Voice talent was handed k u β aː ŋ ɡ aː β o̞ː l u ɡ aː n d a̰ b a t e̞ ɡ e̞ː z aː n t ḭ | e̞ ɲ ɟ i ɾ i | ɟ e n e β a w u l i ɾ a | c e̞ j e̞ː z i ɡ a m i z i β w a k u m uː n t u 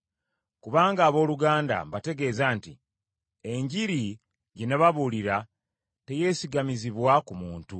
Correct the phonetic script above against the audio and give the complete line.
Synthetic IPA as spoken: k u β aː ŋ ɡ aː β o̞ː l u ɡ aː n d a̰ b a t e̞ ɡ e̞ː z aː n t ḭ | e̞ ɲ ɟ i ɾ i | ɟ e n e β a β u l i ɾ a | t e̞ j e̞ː s i ɡ a m i z i β w a k u m uː n t u

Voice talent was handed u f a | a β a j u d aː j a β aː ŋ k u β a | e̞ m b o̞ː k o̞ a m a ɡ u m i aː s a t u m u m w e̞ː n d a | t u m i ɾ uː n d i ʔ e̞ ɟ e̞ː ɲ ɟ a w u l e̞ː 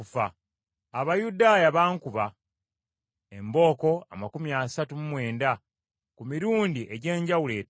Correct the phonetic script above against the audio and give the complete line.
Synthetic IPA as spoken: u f a | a β a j u d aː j a β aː ŋ k u β a | e̞ m b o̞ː k o̞ a m a k u m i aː s a t u m u m w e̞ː n d a | k u m i ɾ uː n d i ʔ e̞ ɟ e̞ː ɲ ɟ a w u l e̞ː

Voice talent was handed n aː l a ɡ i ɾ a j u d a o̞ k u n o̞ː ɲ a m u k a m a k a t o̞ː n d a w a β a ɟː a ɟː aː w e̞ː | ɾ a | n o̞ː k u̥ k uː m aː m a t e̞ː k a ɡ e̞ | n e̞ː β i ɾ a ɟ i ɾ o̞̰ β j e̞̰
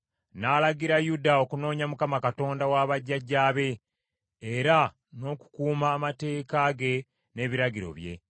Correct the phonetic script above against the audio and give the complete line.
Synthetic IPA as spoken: n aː l a ɡ i ɾ a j u d a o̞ k u n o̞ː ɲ a m u k a m a k a t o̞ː n d a w a β a ɟː a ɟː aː β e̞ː | ɾ a | n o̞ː k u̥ k uː m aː m a t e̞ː k a ɡ e̞ | n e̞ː β i ɾ a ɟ i ɾ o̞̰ β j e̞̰

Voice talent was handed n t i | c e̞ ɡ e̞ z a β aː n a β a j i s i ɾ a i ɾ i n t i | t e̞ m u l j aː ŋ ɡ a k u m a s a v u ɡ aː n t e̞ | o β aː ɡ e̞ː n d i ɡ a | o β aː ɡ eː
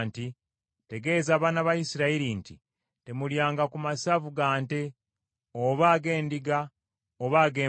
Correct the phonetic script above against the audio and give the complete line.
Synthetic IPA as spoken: n t i | t e̞ ɡ e̞ z a β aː n a β a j i s i ɾ a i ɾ i n t i | t e̞ m u l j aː ŋ ɡ a k u m a s a v u ɡ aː n t e̞ | o β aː ɡ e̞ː n d i ɡ a | o β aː ɡ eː

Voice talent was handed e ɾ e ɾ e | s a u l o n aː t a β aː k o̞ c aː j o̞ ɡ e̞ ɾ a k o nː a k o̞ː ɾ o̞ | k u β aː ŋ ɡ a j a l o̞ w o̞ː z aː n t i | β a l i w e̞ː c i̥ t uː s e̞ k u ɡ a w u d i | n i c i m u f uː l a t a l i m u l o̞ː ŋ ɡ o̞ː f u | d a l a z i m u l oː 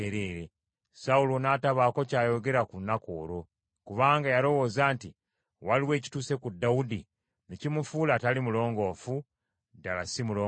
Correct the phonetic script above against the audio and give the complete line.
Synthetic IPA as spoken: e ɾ e ɾ e | s a u l o n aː t a β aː k o̞ c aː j o̞ ɡ e̞ ɾ a k u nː a k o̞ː ɾ o̞ | k u β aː ŋ ɡ a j a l o̞ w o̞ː z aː n t i | w a l i w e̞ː c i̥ t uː s e̞ k u d a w u d i | n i c i m u f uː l a t a l i m u l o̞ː ŋ ɡ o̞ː f u | d a l a s i m u l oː

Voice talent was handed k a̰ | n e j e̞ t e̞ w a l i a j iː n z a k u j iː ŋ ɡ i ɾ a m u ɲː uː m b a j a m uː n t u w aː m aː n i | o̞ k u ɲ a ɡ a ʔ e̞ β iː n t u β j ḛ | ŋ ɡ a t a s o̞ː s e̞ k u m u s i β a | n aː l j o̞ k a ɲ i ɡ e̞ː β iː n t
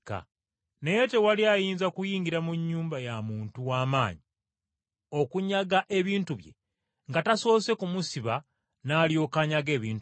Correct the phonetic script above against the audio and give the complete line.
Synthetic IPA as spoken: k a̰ | n e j e̞ t e̞ w a l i a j iː n z a k u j iː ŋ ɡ i ɾ a m u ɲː uː m b a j a m uː n t u w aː m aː ɲ i | o̞ k u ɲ a ɡ a ʔ e̞ β iː n t u β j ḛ | ŋ ɡ a t a s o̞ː s e̞ k u m u s i β a | n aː l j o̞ k a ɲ a ɡ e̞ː β iː n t

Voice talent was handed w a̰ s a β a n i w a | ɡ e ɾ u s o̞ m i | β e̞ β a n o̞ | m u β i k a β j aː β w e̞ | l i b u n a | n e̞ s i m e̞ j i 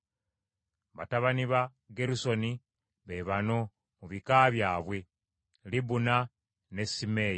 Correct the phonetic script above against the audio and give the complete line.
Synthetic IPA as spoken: β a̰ t a β a n i β a | ɡ e ɾ u s o̞ n i | β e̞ β a n o̞ | m u β i k a β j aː β w e̞ | l i b u n a | n e̞ s i m e̞ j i

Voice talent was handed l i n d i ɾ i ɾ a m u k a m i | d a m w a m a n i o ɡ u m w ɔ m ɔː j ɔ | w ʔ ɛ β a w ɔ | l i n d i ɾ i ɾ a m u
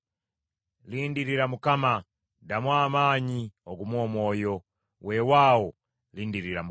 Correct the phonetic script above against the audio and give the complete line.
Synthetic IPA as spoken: l i n d i ɾ i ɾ a m u k a m a | d a m w a m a ɲ i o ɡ u m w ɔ m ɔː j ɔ | w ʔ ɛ w a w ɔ | l i n d i ɾ i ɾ a m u

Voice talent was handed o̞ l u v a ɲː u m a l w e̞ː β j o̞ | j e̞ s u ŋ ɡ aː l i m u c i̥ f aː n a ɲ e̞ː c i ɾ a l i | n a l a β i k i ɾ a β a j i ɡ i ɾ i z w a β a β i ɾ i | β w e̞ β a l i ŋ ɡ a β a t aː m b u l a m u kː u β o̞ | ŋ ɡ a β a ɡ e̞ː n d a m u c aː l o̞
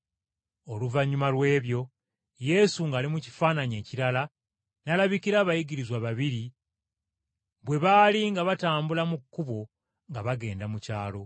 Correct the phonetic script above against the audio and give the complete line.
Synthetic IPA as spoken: o̞ l u v a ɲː u m a l w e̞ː β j o̞ | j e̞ s u ŋ ɡ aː l i m u c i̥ f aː n a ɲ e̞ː c i ɾ a l a | n a l a β i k i ɾ a β a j i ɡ i ɾ i z w a β a β i ɾ i | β w e̞ β a l i ŋ ɡ a β a t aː m b u l a m u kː u β o̞ | ŋ ɡ a β a ɡ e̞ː n d a m u c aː l o̞

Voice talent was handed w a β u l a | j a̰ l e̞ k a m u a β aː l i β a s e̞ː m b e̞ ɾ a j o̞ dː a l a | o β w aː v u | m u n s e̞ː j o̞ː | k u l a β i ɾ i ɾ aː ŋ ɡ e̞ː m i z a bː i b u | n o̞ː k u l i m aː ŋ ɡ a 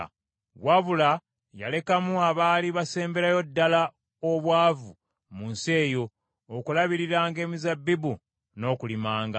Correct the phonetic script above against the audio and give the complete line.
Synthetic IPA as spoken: w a β u l a | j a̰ l e̞ k a m u a β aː l i β a s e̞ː m b e̞ ɾ a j o̞ dː a l a | o β w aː v u | m u n s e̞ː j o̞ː | k u l a β i ɾ i ɾ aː ŋ ɡ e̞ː m i z a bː i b u | n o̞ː k u l i m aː ŋ ɡ a

